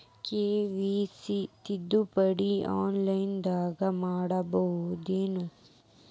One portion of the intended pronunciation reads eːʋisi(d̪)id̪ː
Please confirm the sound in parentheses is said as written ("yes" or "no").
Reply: no